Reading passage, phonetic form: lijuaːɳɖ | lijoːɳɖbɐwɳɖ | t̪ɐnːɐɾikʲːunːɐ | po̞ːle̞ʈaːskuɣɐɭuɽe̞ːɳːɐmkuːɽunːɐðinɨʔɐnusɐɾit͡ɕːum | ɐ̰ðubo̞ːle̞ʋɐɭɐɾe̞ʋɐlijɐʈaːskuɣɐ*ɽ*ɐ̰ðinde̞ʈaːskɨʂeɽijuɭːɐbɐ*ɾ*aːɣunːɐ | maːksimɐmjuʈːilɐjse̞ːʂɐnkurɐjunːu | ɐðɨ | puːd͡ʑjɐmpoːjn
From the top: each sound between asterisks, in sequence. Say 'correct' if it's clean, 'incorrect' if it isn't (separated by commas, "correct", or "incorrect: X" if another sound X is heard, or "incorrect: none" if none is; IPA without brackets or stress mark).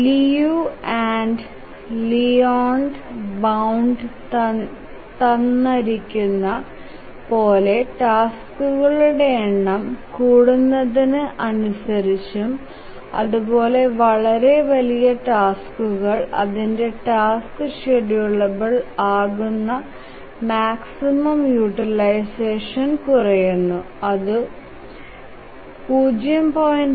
incorrect: ɭ, incorrect: ɭ